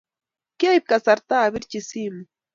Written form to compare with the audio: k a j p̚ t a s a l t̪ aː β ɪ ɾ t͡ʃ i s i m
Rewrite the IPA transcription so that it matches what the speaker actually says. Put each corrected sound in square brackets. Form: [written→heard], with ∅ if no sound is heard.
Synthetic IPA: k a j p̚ [t→k] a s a [l→ɾ] t̪ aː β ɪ ɾ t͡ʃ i s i m